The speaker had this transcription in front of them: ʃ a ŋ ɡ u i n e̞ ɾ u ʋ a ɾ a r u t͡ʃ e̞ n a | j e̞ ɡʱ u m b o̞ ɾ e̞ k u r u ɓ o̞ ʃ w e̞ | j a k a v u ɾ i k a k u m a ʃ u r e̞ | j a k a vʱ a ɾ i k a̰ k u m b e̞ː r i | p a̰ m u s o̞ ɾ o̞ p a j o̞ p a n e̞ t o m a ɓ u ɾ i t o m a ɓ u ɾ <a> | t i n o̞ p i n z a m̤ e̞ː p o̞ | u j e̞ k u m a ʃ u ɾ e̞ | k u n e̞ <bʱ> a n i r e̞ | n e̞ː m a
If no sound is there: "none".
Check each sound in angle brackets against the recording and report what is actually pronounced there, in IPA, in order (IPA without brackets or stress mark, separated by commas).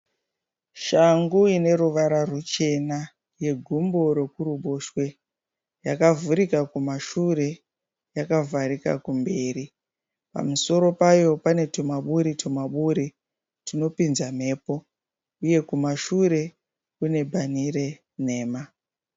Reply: i, bʱ